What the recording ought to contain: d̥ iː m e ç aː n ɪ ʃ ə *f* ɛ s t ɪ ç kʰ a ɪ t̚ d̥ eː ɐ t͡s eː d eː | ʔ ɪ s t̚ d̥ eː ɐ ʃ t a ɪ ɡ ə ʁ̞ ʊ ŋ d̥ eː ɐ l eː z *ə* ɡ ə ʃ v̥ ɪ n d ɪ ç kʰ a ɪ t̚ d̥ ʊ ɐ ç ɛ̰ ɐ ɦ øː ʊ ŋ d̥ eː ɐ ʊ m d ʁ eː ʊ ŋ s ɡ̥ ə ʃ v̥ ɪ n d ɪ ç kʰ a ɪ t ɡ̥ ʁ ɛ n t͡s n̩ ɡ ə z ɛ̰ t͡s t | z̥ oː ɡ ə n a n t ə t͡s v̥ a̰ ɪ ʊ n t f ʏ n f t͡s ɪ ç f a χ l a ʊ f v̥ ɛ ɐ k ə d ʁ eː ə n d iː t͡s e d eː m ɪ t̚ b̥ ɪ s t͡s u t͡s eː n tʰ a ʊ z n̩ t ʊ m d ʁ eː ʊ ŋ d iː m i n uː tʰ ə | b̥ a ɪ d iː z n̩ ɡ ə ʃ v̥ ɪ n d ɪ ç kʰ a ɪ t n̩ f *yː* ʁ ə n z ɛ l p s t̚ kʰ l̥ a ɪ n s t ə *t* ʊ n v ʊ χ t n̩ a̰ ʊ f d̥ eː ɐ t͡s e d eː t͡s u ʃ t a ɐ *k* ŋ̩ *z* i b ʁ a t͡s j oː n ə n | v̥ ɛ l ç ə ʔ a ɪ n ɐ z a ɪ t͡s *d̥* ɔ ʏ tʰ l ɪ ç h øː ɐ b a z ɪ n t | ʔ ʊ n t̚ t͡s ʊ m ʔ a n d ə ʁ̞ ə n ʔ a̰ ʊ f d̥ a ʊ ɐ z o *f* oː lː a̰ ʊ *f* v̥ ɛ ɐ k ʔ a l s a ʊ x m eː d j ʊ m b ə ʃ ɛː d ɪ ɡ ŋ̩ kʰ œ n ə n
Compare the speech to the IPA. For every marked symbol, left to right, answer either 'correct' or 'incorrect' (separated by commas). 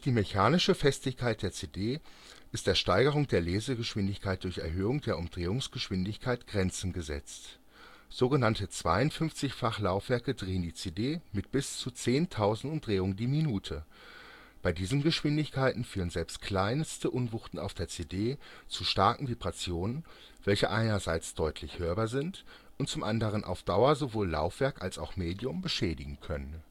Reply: correct, correct, correct, incorrect, correct, incorrect, correct, incorrect, correct